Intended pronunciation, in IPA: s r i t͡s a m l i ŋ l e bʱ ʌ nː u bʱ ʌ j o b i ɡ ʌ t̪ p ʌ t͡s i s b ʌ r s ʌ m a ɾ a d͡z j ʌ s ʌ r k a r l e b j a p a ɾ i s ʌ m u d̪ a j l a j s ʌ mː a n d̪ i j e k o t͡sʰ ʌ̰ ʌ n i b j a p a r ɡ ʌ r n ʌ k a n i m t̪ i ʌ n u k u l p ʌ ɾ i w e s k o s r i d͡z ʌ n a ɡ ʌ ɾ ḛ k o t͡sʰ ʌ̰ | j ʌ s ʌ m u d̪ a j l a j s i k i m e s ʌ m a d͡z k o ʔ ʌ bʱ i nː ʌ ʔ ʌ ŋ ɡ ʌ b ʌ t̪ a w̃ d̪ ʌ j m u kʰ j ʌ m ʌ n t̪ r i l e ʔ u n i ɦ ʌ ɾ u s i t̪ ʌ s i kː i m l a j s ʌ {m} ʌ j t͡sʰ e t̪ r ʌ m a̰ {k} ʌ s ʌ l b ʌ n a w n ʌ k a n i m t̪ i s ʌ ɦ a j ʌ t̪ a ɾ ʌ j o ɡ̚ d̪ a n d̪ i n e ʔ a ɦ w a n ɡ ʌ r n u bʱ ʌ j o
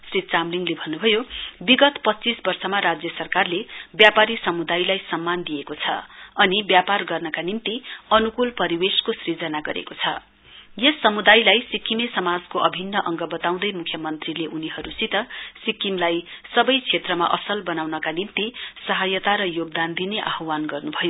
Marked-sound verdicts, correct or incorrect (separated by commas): incorrect, incorrect